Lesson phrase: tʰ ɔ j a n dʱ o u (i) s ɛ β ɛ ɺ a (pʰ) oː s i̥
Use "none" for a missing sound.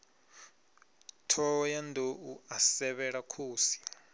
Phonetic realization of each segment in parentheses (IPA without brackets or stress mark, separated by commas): a, kʰ